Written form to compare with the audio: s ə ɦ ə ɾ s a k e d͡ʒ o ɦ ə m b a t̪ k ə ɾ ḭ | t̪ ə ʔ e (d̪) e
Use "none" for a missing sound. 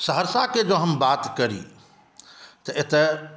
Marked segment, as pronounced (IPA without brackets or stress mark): t̪